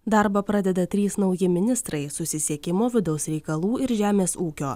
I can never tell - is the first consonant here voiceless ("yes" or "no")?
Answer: no